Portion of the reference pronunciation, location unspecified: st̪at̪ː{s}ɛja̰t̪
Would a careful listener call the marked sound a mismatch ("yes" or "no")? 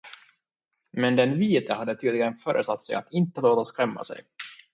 no